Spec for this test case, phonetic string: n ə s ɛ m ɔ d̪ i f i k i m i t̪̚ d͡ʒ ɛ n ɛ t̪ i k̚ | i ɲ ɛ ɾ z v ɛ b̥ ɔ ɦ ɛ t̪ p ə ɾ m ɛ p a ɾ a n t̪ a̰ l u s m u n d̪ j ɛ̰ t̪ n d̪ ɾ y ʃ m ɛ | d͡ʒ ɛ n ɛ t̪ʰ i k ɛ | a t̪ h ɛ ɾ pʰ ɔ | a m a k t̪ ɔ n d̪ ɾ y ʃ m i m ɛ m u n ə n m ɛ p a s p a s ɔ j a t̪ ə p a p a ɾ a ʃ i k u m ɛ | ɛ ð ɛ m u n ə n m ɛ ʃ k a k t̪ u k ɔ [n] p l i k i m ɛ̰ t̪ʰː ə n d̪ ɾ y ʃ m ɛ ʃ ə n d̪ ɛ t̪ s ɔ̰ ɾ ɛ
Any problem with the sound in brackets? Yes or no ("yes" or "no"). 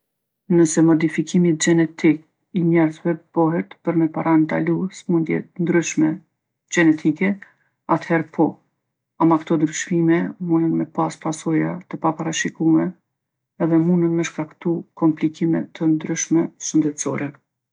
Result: yes